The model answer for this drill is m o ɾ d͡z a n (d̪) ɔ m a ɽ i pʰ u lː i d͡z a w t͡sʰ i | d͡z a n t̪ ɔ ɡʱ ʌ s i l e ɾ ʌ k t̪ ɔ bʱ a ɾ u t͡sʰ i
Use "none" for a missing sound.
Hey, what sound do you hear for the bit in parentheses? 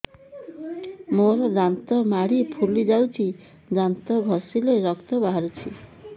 t̪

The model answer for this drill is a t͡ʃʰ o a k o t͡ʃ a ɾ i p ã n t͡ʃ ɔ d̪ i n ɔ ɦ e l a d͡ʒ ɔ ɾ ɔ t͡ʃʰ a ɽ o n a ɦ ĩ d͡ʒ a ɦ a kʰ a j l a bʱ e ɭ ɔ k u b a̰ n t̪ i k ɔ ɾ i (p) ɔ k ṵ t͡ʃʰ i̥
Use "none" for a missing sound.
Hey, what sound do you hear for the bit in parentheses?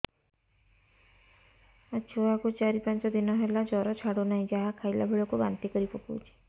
p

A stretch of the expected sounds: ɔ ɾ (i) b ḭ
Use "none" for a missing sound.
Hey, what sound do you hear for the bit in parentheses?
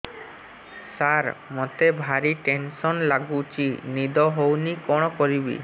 i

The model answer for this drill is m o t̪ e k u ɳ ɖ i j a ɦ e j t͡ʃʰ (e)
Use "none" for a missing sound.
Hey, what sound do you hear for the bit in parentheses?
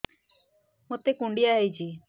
i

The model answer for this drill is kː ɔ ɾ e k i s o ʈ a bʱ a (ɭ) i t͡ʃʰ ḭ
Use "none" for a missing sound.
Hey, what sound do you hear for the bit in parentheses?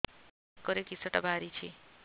ɾ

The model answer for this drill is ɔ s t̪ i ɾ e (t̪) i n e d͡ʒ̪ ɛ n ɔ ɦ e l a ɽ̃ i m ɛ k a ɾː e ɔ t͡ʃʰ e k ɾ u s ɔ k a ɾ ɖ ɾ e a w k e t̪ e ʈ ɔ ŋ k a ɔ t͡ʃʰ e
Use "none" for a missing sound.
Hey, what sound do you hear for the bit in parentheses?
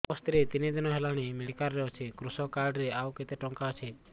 t̪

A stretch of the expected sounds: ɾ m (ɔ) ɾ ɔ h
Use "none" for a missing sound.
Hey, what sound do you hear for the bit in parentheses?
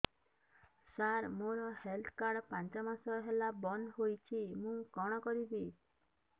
o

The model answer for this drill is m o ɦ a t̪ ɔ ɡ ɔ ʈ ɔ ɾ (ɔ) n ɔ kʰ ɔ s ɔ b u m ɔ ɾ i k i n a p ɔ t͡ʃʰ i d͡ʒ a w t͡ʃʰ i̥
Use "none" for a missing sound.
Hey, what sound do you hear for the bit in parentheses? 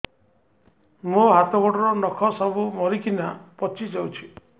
ɔ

